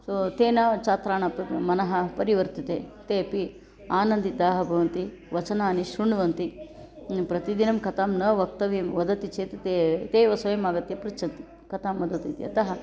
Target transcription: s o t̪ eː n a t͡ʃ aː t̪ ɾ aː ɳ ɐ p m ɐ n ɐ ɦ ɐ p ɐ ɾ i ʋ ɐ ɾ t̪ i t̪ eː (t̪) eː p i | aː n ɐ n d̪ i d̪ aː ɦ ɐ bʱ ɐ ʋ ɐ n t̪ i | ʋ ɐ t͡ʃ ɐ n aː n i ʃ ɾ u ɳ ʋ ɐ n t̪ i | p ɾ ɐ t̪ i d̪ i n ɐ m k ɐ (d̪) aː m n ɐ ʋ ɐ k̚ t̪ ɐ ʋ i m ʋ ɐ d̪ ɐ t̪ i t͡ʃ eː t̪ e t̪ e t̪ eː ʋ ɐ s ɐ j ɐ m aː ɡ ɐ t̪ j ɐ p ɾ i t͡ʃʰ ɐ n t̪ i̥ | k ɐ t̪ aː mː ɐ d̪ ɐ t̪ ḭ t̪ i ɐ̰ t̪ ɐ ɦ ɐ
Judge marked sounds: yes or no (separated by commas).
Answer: yes, no